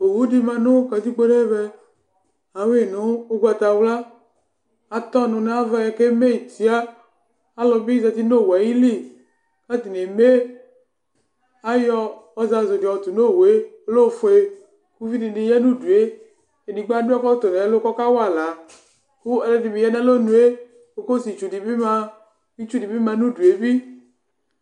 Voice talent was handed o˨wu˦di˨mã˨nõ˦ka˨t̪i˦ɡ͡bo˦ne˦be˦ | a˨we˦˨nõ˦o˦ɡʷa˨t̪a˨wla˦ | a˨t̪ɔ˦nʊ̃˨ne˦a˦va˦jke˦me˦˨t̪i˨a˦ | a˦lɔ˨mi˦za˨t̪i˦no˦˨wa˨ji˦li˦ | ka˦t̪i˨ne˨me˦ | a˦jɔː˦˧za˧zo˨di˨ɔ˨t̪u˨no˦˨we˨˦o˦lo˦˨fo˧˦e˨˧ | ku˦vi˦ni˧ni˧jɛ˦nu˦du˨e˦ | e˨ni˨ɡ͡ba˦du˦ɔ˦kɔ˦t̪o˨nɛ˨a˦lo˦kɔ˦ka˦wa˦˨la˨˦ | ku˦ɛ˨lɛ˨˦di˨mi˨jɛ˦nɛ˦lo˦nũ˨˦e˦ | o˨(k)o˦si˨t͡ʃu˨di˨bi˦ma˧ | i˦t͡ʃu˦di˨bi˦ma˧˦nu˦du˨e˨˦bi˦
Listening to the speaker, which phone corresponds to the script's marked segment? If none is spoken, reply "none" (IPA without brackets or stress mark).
k